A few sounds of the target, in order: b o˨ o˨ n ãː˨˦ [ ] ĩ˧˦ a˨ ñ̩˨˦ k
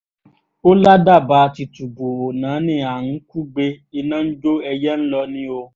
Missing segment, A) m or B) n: B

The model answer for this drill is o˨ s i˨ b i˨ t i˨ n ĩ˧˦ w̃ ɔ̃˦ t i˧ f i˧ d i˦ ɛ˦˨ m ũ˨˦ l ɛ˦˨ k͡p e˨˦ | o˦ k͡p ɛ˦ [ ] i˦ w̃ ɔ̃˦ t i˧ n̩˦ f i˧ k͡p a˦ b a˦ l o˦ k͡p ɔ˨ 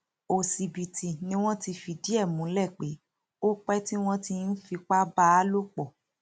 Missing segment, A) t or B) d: A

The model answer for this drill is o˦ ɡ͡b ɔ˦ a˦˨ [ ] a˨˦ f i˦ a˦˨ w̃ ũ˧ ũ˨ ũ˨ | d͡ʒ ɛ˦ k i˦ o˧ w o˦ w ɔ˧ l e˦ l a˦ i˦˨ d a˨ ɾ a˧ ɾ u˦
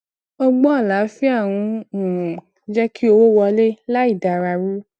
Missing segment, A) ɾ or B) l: B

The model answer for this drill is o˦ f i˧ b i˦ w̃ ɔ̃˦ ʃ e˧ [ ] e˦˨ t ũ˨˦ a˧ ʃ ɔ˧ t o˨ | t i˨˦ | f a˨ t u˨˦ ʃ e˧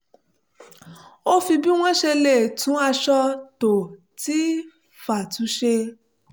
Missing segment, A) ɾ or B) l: B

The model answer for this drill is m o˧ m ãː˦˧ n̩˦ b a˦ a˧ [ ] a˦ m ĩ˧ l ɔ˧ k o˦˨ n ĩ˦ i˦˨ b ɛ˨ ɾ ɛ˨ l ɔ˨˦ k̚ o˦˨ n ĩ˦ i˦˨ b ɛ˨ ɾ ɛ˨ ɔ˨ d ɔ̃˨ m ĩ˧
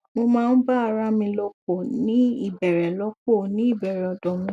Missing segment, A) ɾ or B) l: A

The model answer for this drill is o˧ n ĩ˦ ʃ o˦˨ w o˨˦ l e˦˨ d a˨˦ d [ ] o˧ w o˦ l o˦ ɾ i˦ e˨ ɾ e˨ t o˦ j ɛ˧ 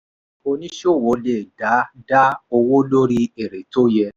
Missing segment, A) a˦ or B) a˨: A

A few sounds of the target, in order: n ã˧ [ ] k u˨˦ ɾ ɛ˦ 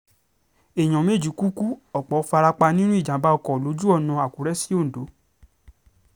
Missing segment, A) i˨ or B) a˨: B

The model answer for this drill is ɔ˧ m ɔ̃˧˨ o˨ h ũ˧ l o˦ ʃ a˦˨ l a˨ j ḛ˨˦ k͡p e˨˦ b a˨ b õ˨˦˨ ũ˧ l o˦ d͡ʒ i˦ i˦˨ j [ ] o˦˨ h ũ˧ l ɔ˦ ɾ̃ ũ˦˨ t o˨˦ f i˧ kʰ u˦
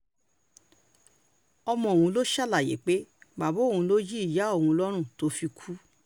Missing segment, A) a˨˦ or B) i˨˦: A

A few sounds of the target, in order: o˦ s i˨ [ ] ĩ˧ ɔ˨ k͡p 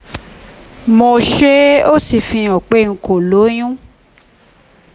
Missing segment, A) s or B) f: B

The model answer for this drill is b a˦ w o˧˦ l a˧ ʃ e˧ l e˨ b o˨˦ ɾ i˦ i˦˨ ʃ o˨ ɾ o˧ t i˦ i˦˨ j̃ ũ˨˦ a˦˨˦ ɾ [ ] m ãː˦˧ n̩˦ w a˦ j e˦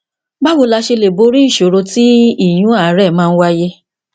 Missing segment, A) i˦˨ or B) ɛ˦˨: B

